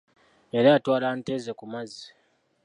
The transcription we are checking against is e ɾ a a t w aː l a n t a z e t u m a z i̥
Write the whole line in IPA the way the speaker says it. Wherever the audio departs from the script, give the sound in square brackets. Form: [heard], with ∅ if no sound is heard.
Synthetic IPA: e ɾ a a t w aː l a n t [e] z e [k] u m a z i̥